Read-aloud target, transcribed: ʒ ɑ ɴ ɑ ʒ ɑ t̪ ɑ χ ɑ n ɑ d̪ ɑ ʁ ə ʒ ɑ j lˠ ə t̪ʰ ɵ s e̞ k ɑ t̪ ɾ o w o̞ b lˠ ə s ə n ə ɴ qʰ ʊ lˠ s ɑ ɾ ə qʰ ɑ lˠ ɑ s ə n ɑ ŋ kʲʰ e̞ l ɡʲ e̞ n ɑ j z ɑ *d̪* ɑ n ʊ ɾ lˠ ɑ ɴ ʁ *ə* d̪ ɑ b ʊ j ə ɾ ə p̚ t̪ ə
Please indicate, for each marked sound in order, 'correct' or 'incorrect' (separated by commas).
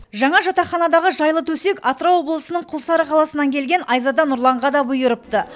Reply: correct, incorrect